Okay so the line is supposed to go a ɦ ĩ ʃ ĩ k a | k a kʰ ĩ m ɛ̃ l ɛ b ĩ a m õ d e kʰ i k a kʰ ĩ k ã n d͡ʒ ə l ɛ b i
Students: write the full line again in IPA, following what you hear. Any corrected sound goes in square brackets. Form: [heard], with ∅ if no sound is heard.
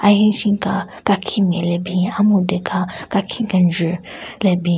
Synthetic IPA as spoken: a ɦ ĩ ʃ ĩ k a | k a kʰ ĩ m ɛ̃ l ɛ b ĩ a m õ d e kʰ [a] k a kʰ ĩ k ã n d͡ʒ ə l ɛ b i

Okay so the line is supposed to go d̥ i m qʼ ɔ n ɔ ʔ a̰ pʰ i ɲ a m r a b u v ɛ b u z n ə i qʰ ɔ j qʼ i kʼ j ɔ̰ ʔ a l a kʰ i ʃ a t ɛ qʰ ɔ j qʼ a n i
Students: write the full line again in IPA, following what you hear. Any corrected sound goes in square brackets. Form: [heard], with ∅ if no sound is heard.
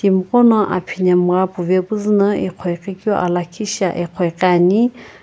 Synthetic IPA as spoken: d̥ i m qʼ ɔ n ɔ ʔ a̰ pʰ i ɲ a m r a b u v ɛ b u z n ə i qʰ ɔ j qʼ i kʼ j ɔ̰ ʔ a l a kʰ i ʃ a [ʔ] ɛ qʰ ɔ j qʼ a n i

